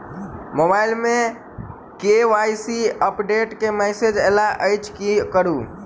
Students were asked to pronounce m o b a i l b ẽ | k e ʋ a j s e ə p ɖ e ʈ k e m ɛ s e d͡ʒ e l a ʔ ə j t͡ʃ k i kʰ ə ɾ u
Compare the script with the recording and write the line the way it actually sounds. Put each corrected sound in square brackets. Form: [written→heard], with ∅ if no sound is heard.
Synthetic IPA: m o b a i l [b→m] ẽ | k e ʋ a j s [e→i] ə p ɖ e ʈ k e m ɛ s e d͡ʒ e l a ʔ ə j t͡ʃ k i [kʰ→k] ə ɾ u